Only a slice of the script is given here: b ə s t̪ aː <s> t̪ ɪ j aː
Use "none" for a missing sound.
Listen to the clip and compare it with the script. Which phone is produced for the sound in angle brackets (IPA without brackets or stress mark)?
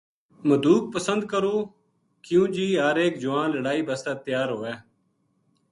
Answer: none